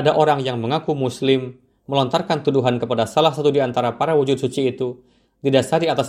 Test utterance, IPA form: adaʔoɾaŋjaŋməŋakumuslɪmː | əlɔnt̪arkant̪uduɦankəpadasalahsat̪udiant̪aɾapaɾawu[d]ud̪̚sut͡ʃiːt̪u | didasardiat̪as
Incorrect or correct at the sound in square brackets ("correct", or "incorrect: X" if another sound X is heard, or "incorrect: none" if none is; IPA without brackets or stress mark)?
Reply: incorrect: d͡ʒ